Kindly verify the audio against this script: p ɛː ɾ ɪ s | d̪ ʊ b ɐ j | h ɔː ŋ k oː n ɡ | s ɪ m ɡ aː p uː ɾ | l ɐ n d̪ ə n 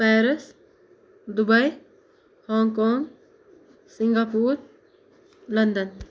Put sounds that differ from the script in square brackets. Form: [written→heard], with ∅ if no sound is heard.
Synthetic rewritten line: p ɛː ɾ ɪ s | d̪ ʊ b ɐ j | h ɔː ŋ k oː [n→ŋ] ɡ | s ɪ [m→ŋ] ɡ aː p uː ɾ | l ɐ n d̪ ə n